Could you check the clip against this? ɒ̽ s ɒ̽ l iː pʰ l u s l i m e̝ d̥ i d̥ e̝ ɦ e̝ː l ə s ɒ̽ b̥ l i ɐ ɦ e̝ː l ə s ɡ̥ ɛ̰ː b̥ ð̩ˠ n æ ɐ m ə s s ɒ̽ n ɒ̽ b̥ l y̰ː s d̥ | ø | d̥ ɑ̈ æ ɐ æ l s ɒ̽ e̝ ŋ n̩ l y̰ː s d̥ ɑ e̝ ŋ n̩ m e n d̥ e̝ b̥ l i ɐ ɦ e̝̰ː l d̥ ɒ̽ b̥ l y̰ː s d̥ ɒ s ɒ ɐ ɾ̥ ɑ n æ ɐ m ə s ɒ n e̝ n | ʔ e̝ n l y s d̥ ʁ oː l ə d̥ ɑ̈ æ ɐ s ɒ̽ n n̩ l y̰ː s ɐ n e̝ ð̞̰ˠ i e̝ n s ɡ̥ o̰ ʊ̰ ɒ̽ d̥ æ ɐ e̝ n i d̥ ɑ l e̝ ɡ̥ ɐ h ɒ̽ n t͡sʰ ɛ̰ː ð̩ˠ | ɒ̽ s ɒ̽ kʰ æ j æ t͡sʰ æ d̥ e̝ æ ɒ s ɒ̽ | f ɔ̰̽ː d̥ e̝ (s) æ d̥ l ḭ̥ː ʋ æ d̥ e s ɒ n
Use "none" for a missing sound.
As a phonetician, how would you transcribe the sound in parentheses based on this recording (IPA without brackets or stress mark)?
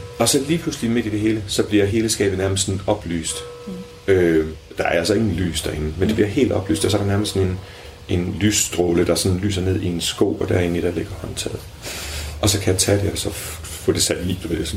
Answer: s